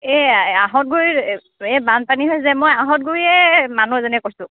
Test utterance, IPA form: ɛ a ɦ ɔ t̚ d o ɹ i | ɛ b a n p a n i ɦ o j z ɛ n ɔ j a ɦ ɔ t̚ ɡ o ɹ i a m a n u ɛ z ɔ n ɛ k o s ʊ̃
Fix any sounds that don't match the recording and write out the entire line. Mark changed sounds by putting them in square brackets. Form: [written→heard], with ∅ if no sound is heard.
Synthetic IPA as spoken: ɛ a ɦ ɔ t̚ [d→ɡ] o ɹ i | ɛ b a n p a n i ɦ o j z ɛ [n→m] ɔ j a ɦ ɔ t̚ ɡ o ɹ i [a→ɛ] m a n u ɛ z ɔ n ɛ k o s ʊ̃